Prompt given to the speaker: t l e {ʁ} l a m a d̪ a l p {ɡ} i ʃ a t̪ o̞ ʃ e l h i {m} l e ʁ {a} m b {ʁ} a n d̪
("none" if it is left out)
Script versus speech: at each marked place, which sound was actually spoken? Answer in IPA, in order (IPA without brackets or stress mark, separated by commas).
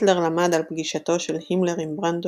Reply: ʁ, ɡ, m, i, ʁ